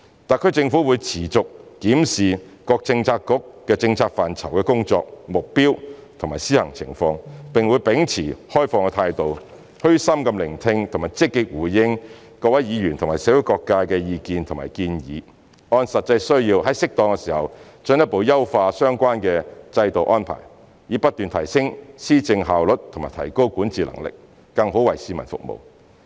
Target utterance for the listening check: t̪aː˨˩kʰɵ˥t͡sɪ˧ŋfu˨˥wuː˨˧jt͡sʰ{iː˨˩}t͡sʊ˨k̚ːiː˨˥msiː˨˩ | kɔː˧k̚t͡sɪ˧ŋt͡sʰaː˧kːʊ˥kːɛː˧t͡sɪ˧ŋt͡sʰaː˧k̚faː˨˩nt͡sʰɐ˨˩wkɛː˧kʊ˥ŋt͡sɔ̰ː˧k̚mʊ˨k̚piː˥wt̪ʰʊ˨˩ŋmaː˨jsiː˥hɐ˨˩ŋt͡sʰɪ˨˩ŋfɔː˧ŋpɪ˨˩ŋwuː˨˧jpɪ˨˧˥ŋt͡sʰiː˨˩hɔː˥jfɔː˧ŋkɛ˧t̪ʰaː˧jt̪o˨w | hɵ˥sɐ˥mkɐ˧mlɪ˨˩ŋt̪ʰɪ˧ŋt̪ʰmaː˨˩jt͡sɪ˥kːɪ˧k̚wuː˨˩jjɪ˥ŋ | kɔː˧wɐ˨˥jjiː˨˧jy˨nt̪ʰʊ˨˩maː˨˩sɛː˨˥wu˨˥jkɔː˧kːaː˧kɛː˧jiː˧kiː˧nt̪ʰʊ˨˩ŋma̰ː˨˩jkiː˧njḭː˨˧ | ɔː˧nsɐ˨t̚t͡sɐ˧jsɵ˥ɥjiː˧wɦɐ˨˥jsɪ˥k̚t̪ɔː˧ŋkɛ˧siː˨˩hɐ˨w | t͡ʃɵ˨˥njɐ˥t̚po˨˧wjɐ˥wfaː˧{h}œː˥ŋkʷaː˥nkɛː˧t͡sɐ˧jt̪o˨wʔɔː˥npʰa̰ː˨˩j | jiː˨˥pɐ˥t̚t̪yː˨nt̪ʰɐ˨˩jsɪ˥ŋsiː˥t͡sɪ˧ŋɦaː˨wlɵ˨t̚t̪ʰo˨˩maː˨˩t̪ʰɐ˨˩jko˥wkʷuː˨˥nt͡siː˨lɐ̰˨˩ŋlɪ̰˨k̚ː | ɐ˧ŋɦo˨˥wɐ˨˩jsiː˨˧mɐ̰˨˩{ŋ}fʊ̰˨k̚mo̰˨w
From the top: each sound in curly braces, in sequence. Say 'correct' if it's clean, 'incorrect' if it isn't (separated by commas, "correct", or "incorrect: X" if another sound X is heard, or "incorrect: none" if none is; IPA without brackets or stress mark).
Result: correct, incorrect: s, incorrect: n